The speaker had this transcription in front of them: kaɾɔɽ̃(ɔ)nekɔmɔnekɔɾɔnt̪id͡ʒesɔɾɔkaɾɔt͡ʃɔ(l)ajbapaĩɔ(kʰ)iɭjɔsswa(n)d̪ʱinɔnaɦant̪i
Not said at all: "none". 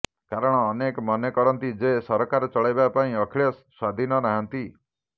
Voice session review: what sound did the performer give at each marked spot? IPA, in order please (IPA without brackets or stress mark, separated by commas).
ɔː, ɭ, kʰ, none